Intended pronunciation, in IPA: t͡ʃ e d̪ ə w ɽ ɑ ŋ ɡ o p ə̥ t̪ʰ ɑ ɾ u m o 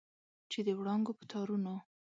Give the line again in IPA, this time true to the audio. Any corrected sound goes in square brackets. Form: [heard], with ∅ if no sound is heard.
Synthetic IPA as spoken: t͡ʃ e d̪ ə w ɽ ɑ ŋ ɡ o p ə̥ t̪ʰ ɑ ɾ u [n] o